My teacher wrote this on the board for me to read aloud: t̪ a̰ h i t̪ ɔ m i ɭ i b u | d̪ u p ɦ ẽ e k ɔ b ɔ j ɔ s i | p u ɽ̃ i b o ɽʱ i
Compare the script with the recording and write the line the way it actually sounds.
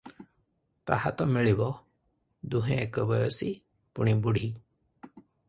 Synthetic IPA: t̪ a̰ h a t̪ ɔ m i ɭ i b ɔ | d̪ u ɦ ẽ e k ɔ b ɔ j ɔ s i | p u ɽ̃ i b u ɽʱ i